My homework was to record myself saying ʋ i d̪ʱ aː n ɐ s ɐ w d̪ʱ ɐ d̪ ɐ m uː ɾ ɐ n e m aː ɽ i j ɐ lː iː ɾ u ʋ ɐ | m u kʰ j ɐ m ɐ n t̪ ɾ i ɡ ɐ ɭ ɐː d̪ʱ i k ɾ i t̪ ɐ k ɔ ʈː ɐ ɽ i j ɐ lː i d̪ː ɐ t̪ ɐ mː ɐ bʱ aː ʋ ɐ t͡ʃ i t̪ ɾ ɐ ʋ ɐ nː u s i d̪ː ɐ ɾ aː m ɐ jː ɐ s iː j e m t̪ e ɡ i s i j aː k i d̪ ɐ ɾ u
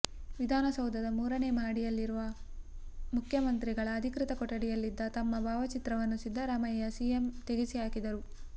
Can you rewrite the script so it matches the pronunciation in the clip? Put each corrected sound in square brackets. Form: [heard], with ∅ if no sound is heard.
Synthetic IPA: ʋ i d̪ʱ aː n ɐ s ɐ w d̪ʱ ɐ d̪ ɐ m uː ɾ ɐ n e m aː ɽ i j ɐ lː [i] ɾ u ʋ ɐ | m u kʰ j ɐ m ɐ n t̪ ɾ i ɡ ɐ ɭ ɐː d̪ʱ i k ɾ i t̪ ɐ k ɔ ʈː ɐ ɽ i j ɐ lː i d̪ː ɐ t̪ ɐ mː ɐ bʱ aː ʋ ɐ t͡ʃ i t̪ ɾ ɐ ʋ ɐ nː u s i d̪ː ɐ ɾ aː m ɐ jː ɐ s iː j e m t̪ e ɡ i s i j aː k i d̪ ɐ ɾ u